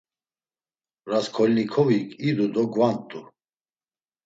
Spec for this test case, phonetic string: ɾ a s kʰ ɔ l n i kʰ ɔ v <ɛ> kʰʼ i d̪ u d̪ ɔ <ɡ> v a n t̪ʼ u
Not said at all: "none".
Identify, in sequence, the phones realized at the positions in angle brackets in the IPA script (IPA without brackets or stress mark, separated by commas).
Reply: i, ɡ